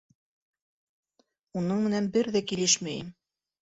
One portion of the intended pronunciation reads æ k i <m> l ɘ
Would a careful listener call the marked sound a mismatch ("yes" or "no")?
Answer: yes